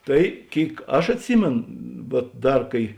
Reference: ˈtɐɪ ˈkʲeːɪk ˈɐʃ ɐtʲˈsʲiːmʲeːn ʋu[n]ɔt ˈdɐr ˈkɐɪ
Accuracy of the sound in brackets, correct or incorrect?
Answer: incorrect: none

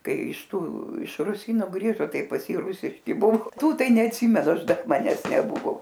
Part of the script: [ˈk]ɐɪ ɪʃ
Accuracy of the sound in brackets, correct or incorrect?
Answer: correct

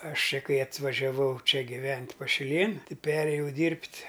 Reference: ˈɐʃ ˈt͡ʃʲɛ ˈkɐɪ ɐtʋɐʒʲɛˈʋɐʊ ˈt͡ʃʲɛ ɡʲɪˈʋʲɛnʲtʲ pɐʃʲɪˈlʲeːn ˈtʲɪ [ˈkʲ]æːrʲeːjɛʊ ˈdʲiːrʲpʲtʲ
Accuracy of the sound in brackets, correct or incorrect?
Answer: incorrect: pʲ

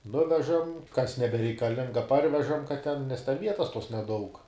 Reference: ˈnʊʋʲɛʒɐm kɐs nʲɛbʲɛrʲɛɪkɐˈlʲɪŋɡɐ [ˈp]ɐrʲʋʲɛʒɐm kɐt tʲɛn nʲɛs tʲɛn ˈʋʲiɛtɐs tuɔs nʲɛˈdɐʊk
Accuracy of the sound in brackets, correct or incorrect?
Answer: correct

